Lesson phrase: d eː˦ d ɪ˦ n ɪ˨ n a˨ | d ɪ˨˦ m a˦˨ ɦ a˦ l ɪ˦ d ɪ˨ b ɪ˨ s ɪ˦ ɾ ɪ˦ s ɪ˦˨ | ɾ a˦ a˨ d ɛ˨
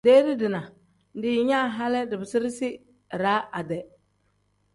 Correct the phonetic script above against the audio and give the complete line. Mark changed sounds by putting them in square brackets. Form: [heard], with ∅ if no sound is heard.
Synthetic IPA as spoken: d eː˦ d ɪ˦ [d] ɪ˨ n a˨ | d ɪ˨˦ [ɲ] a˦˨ ɦ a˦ l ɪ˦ d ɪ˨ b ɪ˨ s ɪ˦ ɾ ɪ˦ s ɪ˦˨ | ɾ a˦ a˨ d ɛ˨